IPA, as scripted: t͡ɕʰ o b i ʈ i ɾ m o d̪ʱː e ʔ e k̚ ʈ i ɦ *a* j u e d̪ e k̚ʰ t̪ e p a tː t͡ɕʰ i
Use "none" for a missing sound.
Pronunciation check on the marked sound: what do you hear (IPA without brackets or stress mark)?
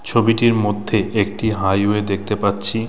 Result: a